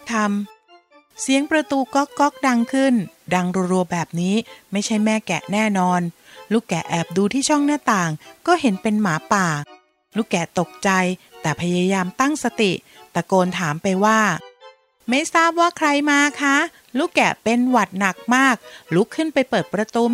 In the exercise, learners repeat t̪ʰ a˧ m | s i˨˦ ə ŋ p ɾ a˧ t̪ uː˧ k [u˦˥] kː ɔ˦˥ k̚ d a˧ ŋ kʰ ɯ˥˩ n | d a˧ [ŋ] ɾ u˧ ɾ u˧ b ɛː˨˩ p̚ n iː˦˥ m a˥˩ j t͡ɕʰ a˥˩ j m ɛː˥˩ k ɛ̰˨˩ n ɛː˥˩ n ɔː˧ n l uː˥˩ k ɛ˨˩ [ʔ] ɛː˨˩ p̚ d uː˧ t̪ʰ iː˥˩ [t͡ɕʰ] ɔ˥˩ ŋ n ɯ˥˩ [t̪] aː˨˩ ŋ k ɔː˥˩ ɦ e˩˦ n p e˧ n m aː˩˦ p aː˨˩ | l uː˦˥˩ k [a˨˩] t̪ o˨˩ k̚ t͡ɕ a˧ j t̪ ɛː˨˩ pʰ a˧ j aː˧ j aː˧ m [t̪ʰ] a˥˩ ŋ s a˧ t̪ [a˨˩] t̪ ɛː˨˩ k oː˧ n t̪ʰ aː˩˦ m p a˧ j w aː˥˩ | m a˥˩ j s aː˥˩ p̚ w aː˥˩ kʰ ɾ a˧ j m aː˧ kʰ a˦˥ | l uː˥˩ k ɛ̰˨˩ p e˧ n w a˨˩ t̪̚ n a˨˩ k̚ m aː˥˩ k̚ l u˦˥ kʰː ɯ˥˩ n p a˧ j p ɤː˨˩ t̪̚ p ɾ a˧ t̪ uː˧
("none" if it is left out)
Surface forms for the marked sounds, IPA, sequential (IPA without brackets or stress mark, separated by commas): ɔ˦˥, ŋ, ʔ, t͡ɕʰ, t̪, ɛ˨˩, t̪, i˨˩